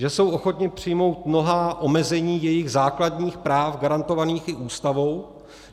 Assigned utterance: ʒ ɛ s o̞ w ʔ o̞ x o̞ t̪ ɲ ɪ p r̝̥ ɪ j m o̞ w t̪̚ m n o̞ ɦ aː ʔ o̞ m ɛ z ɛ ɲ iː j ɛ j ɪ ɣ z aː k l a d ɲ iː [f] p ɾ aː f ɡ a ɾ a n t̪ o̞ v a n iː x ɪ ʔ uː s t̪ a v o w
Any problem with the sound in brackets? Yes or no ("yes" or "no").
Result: yes